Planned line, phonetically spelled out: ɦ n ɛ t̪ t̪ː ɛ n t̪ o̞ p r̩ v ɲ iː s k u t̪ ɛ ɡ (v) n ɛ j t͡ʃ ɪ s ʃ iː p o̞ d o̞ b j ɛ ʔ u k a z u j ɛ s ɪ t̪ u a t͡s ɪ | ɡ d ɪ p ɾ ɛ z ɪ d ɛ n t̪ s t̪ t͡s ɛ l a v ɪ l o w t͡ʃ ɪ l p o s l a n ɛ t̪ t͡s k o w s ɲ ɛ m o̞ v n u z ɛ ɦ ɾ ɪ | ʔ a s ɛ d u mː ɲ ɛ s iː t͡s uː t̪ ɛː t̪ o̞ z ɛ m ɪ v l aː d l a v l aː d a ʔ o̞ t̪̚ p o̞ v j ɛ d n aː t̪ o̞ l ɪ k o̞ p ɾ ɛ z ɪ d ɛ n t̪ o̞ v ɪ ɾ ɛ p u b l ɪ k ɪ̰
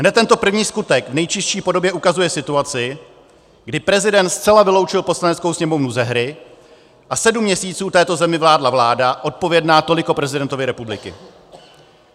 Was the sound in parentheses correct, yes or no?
yes